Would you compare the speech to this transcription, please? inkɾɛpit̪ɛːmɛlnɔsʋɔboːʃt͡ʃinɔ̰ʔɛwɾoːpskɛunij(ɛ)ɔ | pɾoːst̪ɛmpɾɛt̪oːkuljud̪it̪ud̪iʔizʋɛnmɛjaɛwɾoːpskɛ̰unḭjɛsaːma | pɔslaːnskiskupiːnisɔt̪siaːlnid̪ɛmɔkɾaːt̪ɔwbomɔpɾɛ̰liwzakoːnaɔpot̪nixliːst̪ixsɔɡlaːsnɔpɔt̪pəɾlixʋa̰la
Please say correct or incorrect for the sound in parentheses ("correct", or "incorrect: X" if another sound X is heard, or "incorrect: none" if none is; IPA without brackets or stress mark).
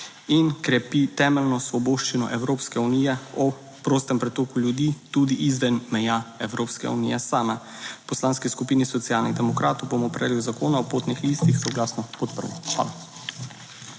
correct